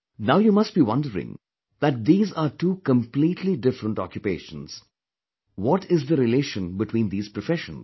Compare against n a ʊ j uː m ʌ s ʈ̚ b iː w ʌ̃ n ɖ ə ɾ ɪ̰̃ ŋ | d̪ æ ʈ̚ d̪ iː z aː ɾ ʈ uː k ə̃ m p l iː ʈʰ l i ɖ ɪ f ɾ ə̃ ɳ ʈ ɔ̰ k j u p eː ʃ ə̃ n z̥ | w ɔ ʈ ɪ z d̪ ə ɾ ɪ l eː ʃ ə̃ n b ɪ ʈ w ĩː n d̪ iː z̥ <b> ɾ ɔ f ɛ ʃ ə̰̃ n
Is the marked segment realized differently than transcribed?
yes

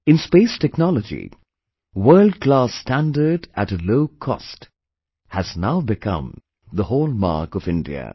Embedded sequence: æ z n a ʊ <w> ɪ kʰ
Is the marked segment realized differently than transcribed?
yes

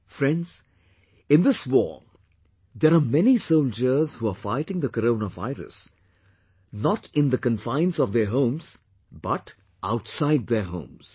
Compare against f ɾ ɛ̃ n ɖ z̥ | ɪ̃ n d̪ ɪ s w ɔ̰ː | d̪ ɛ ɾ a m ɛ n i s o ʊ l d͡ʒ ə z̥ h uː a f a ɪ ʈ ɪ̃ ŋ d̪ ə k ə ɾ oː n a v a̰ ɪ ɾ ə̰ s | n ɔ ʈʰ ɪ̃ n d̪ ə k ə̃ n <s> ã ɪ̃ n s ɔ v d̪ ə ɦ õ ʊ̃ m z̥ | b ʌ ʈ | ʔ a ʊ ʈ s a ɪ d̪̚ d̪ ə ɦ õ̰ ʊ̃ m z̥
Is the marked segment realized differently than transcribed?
yes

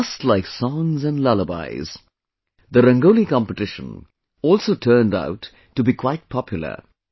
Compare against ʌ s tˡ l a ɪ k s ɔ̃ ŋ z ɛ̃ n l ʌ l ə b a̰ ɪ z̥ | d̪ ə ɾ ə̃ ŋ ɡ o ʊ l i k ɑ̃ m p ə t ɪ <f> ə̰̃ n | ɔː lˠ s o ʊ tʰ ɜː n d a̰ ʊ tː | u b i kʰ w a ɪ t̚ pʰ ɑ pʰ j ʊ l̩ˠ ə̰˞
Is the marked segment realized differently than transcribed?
yes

